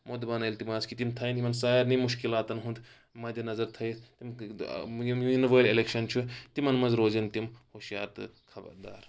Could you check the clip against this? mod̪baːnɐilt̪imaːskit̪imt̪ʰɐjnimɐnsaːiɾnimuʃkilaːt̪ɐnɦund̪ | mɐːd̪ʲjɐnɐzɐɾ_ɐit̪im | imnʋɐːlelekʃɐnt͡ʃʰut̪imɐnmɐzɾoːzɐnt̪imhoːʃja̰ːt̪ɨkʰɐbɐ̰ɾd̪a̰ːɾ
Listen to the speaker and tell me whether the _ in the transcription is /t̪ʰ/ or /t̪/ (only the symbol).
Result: t̪ʰ